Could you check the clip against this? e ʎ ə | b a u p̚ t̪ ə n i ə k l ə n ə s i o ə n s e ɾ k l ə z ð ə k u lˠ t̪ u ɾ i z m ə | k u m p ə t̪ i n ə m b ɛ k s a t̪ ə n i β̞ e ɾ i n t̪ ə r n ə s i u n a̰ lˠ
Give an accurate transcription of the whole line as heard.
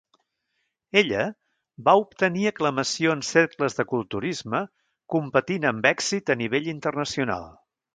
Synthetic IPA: e ʎ ə | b a u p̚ t̪ ə n i ə k l ə m ə s i o ə n s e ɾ k l ə z ð ə k u lˠ t̪ u ɾ i z m ə | k u m p ə t̪ i n ə m b ɛ k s i t̪ ə n i β̞ e ʎ i n t̪ ə r n ə s i u n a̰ lˠ